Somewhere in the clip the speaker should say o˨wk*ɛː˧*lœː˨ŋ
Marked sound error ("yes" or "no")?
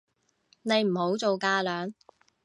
yes